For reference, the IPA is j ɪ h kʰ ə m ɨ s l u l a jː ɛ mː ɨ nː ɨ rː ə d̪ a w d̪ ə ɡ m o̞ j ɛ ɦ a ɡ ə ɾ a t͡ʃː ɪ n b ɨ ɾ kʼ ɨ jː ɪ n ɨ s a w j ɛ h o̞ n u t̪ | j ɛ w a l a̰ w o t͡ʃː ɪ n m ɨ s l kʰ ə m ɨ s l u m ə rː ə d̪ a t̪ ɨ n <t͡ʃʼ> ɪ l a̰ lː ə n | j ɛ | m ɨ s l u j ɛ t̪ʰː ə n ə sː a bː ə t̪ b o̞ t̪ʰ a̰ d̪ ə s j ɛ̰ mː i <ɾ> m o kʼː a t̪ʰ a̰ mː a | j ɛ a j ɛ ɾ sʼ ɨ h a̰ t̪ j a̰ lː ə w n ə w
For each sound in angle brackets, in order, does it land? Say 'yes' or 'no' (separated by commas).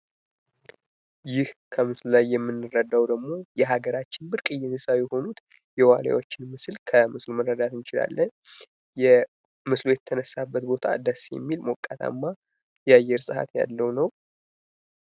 no, no